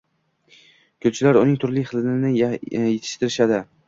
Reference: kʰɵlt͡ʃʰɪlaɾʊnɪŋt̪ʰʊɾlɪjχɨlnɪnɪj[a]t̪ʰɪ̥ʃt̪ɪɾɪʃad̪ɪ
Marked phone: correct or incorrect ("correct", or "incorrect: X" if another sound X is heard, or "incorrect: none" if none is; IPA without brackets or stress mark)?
incorrect: e